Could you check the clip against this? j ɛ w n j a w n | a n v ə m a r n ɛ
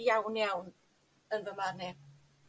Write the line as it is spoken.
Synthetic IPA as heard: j a w n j a w n | ə n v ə m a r n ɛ